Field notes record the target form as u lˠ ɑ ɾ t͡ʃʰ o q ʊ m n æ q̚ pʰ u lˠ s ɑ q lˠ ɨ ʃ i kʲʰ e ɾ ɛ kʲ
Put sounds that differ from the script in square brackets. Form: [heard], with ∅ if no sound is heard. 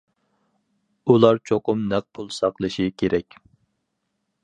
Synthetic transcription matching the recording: u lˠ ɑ ɾ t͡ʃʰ o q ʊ m n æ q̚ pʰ u lˠ s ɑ q lˠ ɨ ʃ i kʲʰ e ɾ ɛ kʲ